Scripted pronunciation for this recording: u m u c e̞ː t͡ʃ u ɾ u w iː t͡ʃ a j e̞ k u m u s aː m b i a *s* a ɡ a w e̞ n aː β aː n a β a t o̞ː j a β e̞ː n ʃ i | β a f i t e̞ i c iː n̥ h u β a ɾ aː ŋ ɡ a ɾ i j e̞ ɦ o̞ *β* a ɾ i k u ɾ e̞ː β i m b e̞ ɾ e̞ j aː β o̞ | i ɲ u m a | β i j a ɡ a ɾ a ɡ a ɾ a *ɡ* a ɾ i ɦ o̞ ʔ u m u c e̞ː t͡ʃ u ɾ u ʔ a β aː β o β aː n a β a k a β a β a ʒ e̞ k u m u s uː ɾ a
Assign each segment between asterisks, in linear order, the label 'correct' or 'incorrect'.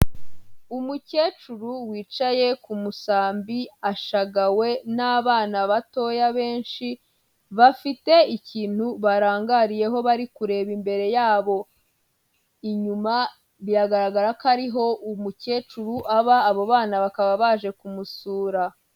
incorrect, correct, incorrect

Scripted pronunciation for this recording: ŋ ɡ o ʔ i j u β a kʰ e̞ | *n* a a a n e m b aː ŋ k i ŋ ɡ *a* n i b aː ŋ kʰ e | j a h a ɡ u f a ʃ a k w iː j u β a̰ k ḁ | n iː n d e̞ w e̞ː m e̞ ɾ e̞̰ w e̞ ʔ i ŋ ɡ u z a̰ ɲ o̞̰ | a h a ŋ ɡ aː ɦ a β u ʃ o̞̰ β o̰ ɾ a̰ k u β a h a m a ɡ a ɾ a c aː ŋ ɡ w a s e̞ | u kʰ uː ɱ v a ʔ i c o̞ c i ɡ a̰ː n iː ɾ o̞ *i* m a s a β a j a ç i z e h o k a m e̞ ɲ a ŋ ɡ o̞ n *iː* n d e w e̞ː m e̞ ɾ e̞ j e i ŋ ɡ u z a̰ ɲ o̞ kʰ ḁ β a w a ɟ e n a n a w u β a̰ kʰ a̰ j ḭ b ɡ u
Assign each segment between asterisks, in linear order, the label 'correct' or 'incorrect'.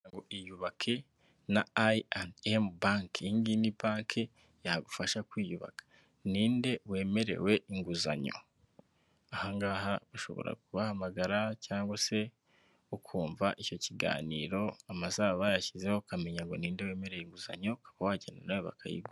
correct, incorrect, incorrect, correct

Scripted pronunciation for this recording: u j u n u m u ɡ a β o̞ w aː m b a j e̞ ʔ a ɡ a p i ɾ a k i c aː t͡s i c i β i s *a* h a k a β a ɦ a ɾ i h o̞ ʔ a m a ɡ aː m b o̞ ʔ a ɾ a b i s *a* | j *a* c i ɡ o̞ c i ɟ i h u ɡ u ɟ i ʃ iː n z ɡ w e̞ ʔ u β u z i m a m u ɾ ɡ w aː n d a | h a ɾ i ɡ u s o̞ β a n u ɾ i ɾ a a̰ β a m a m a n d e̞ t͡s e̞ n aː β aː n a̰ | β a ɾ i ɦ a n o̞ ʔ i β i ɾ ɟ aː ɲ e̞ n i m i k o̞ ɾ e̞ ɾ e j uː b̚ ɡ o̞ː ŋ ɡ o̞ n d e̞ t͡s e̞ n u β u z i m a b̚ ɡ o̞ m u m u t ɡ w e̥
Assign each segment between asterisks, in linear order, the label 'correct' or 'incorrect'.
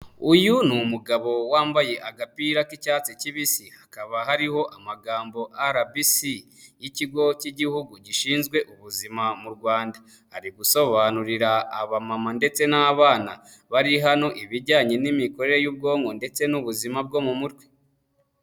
incorrect, incorrect, incorrect

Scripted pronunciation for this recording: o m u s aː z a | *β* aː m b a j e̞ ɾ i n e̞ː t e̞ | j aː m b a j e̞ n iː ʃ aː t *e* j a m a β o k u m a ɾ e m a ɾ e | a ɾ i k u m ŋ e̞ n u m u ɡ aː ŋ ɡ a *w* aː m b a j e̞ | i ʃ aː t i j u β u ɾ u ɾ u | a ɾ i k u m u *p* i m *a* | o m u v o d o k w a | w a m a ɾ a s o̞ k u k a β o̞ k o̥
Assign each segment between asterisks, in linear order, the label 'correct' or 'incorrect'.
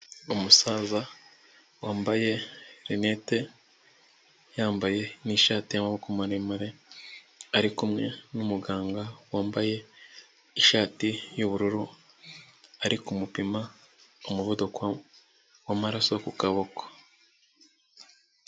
incorrect, incorrect, correct, correct, correct

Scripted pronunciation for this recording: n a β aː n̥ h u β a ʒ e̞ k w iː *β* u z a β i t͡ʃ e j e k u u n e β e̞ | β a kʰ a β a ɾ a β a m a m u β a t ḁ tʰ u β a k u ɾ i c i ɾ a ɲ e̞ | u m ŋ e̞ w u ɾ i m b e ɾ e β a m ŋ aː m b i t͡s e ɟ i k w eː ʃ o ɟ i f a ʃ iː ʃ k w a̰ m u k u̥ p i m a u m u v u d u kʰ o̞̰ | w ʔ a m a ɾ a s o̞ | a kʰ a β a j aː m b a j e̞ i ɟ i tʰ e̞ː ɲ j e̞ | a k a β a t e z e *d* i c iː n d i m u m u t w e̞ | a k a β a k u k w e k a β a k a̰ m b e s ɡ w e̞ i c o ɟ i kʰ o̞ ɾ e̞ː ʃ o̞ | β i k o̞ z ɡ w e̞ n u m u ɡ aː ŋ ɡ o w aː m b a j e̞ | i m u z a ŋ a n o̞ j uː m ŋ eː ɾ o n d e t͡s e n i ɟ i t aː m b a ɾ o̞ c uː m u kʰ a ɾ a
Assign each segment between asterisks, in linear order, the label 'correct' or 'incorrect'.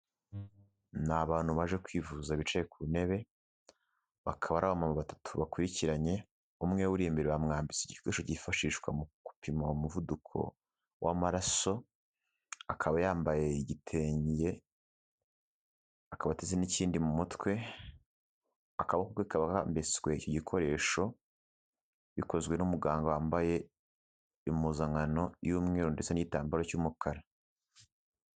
incorrect, incorrect

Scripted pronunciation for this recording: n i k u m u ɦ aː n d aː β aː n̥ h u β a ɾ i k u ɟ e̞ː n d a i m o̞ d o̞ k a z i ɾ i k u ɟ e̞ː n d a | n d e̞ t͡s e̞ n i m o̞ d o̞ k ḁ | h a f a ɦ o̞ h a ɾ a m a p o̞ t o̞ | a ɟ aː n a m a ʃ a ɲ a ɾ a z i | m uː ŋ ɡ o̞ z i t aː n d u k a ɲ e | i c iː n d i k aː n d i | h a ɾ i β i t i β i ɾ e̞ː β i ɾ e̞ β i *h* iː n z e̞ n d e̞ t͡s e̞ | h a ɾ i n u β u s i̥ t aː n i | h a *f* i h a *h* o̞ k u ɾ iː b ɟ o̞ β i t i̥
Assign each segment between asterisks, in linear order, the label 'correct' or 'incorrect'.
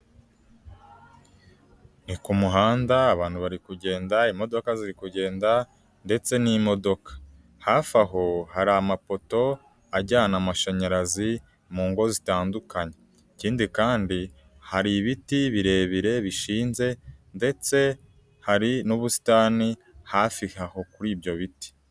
incorrect, correct, correct

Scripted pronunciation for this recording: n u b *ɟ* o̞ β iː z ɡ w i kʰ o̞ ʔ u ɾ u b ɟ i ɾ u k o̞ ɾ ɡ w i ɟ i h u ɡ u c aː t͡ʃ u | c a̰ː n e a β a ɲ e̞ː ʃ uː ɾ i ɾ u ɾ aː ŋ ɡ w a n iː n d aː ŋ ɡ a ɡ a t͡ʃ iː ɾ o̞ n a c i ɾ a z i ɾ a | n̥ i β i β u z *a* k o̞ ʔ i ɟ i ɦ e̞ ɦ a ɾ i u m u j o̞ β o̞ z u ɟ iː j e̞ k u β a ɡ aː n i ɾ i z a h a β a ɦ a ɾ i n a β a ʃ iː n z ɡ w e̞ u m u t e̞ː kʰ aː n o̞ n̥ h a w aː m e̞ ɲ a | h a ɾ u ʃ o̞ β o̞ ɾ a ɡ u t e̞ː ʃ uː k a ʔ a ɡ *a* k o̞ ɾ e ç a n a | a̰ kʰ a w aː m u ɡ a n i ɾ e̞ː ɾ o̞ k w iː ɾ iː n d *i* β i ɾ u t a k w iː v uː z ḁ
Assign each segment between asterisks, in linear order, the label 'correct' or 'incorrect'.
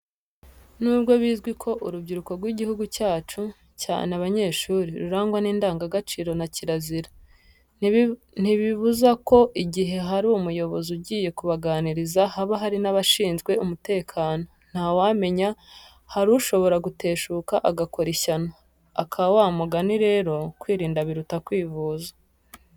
incorrect, correct, correct, incorrect

